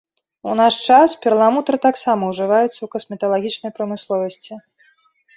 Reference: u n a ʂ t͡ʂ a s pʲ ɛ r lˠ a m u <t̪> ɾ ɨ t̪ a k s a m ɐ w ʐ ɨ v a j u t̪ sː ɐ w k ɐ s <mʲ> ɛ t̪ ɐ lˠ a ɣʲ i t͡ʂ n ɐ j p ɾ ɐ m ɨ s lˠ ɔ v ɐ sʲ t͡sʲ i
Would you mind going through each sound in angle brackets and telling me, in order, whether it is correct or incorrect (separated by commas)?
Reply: correct, correct